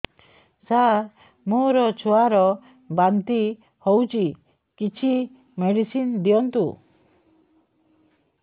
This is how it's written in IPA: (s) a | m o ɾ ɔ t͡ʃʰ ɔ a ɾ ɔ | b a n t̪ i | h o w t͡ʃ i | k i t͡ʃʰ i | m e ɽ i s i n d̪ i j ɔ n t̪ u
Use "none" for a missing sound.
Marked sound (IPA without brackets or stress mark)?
s